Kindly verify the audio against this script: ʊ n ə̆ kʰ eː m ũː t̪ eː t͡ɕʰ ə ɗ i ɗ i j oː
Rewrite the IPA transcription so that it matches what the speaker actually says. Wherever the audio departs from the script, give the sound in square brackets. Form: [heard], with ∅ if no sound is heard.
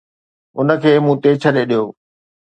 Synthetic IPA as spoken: ʊ n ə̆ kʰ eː m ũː t̪ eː t͡ɕʰ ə ɗ [e] ɗ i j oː